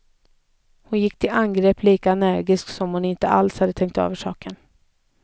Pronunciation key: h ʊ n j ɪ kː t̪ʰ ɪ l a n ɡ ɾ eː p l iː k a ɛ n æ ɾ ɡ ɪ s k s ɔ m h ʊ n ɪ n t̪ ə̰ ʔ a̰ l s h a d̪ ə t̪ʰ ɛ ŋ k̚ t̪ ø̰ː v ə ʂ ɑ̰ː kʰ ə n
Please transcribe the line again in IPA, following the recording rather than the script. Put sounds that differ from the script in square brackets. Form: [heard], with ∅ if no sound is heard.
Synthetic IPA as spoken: h ʊ n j ɪ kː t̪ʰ ɪ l a n ɡ ɾ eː p l iː k a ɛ n æ ɾ ɡ ɪ s k s ɔ m h ʊ n ɪ n t̪ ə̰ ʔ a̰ l s h a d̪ ə t̪ʰ ɛ ŋ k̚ t̪ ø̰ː v ə ʂ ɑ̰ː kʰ ə n